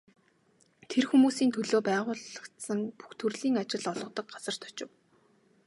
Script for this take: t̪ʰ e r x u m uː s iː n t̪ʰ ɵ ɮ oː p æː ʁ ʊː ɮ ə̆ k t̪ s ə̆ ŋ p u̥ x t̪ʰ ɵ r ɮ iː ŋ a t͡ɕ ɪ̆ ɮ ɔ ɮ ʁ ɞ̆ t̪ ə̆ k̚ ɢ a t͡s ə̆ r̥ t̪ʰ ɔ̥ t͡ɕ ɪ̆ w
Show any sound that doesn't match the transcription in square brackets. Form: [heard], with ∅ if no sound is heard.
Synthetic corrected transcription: t̪ʰ e r x u m uː s iː n t̪ʰ ɵ ɮ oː p æː ʁ ʊː ɮ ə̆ k t̪ s ə̆ ŋ p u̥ x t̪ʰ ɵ r ɮ iː ŋ a t͡ɕ ɪ̆ ɮ ɔ ɮ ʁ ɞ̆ t̪ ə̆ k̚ ɢ a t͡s ə̆ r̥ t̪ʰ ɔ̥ t͡ɕ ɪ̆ w